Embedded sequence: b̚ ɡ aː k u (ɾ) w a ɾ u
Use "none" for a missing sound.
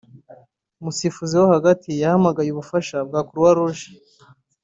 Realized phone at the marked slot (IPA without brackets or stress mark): ɾ